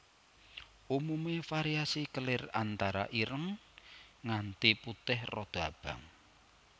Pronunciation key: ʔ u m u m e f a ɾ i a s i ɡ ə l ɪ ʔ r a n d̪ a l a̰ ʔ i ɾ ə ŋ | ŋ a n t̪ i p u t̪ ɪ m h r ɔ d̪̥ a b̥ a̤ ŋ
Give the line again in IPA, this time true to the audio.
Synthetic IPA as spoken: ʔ u m u m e f a ɾ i a s i k ə l ɪ r a n t̪ a ɾ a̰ ʔ i ɾ ə ŋ | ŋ a n t̪ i p u t̪ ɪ h r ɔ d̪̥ a b̥ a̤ ŋ